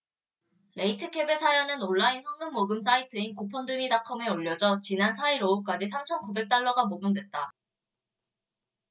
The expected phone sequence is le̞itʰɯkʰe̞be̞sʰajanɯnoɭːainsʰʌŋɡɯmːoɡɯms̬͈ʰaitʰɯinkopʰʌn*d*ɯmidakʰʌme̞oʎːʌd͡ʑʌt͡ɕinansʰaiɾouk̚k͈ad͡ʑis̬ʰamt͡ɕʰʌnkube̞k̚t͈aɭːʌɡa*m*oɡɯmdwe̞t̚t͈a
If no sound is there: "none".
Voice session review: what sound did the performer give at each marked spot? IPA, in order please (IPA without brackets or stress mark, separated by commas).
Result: d, m